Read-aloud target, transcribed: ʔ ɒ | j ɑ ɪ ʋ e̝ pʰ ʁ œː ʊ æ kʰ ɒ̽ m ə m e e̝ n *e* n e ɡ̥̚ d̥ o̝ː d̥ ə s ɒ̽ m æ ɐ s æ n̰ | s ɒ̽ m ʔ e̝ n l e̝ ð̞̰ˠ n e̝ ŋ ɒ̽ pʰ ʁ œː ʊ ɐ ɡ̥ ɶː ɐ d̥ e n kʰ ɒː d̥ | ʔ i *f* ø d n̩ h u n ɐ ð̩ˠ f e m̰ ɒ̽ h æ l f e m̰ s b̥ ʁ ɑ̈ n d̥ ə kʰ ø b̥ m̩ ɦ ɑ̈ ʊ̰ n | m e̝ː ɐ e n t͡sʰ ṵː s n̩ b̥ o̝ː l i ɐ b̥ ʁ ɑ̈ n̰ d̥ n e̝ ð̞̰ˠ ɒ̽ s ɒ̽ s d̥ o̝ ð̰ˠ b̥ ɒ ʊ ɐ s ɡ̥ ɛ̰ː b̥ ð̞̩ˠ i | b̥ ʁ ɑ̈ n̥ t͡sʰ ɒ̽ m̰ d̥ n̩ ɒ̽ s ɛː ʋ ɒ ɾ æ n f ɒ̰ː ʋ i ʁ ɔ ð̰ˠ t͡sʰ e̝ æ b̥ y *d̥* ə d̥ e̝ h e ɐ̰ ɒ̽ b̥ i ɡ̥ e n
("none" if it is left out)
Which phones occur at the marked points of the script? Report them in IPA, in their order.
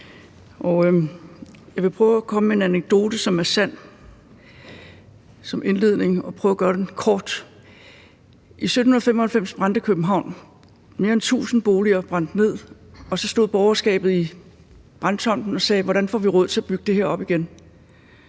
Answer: æ, s, ɡ̥

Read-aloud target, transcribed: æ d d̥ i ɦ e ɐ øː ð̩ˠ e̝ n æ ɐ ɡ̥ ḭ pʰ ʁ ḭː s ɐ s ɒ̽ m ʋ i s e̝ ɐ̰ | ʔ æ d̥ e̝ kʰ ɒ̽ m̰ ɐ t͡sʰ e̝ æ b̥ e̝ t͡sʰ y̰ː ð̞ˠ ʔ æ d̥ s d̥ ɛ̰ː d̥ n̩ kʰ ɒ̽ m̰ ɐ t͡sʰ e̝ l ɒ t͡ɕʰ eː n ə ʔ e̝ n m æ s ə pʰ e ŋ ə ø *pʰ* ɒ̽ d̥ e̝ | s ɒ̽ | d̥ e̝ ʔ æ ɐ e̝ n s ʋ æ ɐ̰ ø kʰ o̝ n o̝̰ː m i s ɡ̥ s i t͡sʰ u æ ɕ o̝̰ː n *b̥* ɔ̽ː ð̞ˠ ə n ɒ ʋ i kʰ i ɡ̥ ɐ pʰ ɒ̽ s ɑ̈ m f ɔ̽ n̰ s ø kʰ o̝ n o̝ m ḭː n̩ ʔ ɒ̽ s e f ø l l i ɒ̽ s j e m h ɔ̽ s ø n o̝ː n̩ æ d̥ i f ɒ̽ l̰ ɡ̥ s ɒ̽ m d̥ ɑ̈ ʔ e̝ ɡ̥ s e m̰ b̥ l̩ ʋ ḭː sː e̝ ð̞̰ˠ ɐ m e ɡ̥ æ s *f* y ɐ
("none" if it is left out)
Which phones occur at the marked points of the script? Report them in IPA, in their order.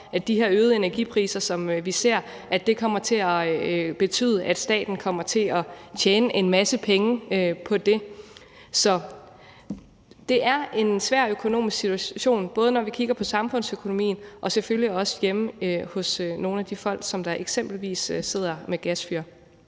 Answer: pʰ, b̥, f

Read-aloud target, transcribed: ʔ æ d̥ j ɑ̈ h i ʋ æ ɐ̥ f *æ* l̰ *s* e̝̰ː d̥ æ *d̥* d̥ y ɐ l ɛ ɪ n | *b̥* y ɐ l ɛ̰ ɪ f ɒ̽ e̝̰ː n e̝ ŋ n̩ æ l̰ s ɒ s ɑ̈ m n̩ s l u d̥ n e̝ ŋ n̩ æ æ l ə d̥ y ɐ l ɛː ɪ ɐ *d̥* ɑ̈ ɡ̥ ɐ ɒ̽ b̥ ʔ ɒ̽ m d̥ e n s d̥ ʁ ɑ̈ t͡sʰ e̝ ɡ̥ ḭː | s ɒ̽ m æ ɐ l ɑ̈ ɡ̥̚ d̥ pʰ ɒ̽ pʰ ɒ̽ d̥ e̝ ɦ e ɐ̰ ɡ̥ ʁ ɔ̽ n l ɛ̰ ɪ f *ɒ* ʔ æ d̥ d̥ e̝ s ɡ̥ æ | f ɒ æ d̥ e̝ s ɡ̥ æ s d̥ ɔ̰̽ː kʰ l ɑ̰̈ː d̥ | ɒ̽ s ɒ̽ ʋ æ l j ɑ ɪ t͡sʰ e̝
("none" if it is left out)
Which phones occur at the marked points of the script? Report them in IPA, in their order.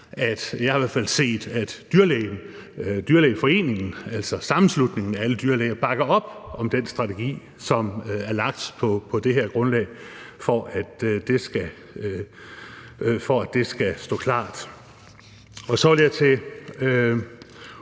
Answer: æ, s, d̥, d̥, b̥, ɒ

